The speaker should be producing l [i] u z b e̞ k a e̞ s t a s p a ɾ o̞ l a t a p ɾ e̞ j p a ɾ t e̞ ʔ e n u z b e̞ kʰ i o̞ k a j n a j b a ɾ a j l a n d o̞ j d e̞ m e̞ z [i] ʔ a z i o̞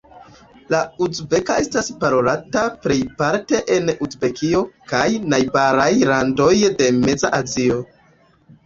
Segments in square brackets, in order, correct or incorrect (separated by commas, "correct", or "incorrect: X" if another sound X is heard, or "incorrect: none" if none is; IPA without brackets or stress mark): incorrect: a, incorrect: a